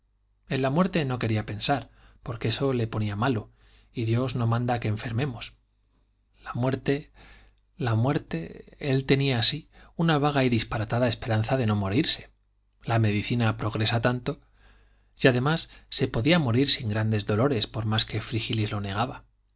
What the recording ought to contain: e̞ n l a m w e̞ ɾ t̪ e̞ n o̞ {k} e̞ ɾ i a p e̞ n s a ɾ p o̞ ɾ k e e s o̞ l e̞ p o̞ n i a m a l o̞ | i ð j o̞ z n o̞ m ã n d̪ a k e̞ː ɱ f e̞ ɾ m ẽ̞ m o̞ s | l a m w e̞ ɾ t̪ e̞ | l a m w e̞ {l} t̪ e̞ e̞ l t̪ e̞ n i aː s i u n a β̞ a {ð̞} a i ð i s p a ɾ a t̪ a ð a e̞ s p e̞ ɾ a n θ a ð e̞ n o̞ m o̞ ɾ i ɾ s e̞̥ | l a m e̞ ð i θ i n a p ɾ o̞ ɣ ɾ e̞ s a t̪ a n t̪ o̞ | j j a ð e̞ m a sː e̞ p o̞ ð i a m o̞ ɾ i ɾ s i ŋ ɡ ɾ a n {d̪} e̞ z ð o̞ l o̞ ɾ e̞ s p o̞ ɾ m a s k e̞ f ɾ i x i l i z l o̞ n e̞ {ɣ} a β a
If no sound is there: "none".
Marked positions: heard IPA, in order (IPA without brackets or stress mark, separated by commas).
k, ɾ, ɣ̞, d̪, ɣ